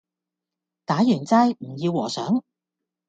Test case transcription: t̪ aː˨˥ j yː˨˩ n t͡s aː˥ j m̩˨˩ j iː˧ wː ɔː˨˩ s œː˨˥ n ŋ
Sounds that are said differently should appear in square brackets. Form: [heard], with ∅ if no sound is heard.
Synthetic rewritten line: t̪ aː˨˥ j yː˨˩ n t͡s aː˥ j m̩˨˩ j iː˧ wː ɔː˨˩ s œː˨˥ [∅] ŋ

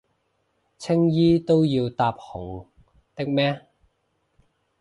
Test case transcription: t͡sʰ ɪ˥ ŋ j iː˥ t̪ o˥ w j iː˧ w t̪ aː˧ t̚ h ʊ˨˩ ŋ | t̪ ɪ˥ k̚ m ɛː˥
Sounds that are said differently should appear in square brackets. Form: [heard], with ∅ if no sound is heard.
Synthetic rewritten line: t͡sʰ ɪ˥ ŋ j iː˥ t̪ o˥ w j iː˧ w t̪ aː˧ [p̚] h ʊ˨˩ ŋ | t̪ ɪ˥ k̚ m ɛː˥

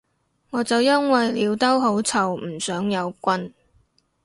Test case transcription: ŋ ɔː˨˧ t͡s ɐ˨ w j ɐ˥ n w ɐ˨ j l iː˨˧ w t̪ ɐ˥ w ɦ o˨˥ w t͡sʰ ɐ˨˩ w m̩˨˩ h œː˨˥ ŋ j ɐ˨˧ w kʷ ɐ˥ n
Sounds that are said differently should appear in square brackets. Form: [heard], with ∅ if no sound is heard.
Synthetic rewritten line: ŋ ɔː˨˧ t͡s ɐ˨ w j ɐ˥ n w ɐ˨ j l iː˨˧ w t̪ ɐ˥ w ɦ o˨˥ w t͡sʰ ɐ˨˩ w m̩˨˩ [s] œː˨˥ ŋ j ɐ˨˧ w kʷ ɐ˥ n

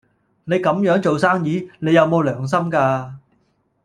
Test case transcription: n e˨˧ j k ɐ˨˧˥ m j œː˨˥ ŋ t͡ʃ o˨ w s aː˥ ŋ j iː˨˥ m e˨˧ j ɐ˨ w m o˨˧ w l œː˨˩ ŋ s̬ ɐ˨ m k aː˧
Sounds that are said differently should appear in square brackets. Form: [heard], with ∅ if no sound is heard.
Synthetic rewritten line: n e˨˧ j k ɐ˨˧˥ m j œː˨˥ ŋ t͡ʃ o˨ w s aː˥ ŋ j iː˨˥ [n] e˨˧ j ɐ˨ w m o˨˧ w l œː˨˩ ŋ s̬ [ɐ˥] m k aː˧

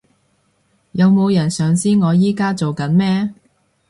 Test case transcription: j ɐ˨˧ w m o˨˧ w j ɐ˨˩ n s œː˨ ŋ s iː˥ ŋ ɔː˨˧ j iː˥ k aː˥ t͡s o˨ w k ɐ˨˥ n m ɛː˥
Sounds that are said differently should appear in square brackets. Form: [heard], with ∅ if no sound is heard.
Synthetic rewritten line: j ɐ˨˧ w m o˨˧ w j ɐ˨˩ n s œː˨ ŋ s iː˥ ŋ ɔː˨˧ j iː˥ k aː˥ t͡s o˨ w k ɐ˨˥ n m ɛː˥

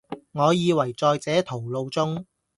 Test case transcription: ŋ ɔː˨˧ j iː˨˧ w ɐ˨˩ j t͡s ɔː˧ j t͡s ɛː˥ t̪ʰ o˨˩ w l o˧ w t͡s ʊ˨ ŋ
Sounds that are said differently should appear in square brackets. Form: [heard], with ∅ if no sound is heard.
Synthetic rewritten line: ŋ ɔː˨˧ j iː˨˧ w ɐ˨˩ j t͡s ɔː˧ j t͡s [ɛː˨˥] t̪ʰ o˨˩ w l o˧ w t͡s [ʊ˥] ŋ

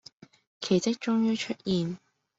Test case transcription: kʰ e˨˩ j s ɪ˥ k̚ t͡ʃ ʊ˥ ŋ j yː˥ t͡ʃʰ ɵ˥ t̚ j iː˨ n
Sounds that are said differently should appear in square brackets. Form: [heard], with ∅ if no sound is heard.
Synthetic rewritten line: kʰ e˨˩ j [t͡s] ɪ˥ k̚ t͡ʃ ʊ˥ ŋ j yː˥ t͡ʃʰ ɵ˥ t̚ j iː˨ n

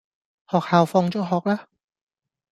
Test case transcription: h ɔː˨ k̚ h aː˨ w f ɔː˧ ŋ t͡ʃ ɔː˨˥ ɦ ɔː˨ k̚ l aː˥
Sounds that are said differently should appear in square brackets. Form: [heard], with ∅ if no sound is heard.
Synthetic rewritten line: h ɔː˨ k̚ h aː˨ w f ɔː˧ ŋ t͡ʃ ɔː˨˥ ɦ ɔː˨ k̚ l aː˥

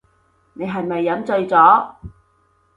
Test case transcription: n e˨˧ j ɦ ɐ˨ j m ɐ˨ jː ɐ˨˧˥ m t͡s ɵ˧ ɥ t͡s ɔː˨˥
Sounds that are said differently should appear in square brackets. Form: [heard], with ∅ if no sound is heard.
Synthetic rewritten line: n e˨˧ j ɦ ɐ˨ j m ɐ˨ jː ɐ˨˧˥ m t͡s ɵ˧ ɥ t͡s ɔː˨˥

